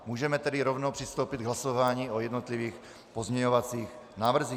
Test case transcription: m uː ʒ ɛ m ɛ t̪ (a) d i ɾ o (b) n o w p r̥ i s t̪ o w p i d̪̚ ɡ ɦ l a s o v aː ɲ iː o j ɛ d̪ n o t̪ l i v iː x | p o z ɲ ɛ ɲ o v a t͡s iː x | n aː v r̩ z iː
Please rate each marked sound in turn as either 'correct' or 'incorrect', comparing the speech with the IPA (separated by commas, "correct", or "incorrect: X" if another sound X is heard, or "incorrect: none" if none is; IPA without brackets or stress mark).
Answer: incorrect: ɛ, incorrect: v